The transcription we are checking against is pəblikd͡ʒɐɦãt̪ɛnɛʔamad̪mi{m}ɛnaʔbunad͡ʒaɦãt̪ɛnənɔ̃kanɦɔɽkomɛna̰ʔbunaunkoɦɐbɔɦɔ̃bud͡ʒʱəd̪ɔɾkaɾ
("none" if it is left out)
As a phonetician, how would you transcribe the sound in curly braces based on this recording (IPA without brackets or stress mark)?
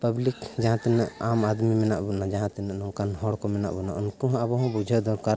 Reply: m